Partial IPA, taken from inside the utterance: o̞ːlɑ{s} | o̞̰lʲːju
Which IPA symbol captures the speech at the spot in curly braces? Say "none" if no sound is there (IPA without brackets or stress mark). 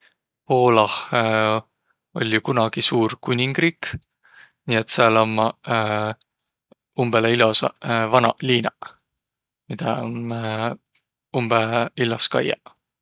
h